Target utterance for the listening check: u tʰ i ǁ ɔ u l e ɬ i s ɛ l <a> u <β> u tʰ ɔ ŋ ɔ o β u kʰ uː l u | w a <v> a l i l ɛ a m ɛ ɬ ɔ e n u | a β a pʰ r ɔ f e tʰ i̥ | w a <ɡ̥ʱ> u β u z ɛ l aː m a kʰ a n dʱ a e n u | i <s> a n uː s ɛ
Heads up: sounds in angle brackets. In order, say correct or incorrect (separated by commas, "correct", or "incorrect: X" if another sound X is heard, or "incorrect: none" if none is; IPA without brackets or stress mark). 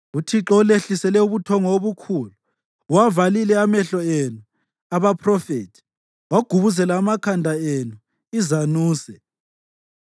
incorrect: ɛ, correct, correct, correct, incorrect: z